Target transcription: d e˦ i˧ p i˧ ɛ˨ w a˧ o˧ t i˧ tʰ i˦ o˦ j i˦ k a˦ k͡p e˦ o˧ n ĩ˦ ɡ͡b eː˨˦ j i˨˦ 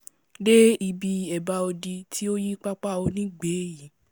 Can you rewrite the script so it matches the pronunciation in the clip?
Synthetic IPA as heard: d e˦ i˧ b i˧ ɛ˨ b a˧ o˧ d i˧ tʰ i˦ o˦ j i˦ k͡p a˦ k͡p a˦ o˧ n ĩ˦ ɡ͡b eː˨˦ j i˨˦

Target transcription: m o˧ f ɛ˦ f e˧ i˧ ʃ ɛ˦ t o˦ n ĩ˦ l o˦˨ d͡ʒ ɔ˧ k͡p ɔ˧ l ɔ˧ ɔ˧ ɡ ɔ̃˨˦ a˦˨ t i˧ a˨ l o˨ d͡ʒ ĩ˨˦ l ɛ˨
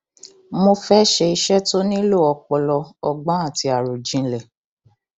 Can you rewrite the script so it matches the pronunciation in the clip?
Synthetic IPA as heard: m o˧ f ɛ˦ ʃ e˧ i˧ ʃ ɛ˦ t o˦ n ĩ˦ l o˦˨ ɔ˧ k͡p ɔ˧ l ɔ˧ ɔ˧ ɡ͡b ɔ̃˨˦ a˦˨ t i˧ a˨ ɾ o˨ d͡ʒ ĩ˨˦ l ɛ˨

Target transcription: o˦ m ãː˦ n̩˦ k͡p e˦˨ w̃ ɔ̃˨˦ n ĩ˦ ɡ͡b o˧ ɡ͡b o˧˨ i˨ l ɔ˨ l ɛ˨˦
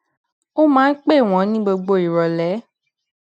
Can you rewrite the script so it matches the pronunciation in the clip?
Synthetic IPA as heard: o˦ m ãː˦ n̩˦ k͡p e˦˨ w̃ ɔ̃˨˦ n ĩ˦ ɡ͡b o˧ ɡ͡b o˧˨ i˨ ɾ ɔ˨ l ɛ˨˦

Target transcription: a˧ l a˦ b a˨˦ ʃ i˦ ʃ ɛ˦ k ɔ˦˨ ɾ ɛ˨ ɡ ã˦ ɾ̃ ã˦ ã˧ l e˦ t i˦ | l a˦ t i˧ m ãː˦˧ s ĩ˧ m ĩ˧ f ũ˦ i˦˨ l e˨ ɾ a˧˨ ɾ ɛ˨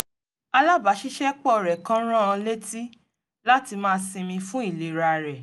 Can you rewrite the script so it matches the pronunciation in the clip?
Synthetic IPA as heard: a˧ l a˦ b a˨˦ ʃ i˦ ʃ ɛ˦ k͡p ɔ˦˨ ɾ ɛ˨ k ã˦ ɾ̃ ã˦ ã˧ l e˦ t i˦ | l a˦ t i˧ m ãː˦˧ s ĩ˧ m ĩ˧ f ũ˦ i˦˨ l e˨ ɾ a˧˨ ɾ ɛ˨

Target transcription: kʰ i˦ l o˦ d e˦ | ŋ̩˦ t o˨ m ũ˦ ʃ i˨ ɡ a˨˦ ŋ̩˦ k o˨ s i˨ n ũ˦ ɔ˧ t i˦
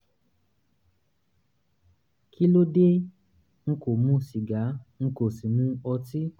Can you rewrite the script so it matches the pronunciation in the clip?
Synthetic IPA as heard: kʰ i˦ l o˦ d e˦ | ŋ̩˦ k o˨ m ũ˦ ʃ i˨ ɡ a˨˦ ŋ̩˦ k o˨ s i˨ n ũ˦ ɔ˧ t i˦

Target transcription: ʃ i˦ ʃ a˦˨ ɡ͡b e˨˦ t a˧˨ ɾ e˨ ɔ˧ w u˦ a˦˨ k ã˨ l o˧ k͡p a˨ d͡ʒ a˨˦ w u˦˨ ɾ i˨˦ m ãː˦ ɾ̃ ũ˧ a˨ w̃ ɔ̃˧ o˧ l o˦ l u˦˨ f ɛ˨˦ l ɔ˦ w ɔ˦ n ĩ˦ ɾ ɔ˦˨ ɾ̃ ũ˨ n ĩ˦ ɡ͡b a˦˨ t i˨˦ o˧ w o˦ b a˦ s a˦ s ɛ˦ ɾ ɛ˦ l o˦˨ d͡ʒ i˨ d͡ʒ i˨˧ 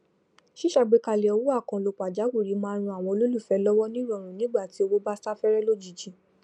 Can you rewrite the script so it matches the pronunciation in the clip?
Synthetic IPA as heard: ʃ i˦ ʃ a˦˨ ɡ͡b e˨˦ k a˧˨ l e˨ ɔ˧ w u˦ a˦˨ k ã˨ l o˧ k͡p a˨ d͡ʒ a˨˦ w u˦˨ ɾ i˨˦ m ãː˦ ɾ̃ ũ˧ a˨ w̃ ɔ̃˧ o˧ l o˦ l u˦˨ f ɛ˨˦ l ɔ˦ w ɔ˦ n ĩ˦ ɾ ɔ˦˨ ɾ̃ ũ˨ n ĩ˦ ɡ͡b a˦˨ t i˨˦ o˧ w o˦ b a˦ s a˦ f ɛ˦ ɾ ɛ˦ l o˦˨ d͡ʒ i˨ d͡ʒ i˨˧

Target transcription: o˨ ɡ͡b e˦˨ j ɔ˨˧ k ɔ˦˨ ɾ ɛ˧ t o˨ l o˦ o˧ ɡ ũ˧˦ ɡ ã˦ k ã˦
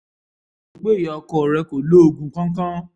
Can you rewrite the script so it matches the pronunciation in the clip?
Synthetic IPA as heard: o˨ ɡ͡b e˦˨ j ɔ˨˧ k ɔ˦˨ ɾ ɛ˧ k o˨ l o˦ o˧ ɡ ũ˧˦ k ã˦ k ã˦

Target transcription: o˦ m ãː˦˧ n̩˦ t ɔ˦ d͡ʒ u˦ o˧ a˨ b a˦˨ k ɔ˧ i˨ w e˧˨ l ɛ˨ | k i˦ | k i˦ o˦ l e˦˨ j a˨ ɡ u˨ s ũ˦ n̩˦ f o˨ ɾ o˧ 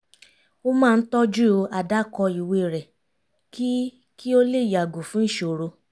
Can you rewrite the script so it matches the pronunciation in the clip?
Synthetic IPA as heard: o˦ m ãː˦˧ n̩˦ t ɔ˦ d͡ʒ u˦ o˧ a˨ d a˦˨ k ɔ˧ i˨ w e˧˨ ɾ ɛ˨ | k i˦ | k i˦ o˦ l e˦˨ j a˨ ɡ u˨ f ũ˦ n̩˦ ʃ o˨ ɾ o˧

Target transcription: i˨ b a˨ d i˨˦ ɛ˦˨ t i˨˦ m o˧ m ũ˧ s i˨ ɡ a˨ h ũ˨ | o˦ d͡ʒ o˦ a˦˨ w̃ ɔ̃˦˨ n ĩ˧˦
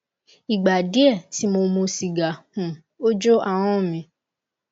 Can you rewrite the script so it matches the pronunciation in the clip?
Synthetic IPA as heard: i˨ ɡ͡b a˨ d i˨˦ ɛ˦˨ t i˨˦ m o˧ m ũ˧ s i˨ ɡ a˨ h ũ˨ | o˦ d͡ʒ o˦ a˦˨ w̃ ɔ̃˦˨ m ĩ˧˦

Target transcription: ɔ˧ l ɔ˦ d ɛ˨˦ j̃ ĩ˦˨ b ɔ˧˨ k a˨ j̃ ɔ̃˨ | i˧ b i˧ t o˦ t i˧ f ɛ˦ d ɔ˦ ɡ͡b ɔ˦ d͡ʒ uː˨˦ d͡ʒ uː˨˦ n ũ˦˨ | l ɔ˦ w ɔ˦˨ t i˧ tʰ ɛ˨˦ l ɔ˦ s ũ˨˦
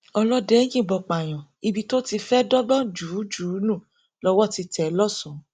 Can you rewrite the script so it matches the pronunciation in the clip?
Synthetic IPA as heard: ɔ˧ l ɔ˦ d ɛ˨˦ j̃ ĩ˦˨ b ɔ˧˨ k͡p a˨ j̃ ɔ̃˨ | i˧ b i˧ t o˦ t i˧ f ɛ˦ d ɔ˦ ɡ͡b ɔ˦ d͡ʒ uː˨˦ d͡ʒ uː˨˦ n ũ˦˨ | l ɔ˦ w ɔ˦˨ t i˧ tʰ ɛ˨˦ l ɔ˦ s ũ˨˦

